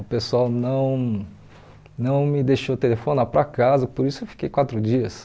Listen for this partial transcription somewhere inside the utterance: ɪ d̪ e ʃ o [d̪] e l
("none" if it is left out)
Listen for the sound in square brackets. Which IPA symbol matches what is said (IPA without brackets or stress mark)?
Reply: t̪